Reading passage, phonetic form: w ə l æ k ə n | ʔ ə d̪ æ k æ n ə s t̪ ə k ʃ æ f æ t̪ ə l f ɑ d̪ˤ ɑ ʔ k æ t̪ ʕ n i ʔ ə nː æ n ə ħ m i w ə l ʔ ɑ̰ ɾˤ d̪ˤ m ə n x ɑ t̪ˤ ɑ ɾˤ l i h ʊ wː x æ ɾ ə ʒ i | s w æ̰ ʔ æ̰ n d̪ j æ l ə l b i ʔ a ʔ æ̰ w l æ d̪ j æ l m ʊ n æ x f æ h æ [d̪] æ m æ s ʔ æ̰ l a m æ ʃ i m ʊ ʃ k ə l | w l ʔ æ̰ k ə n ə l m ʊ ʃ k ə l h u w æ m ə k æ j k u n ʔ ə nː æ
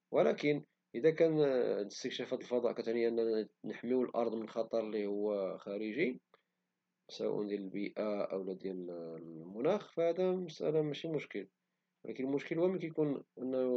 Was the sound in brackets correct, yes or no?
yes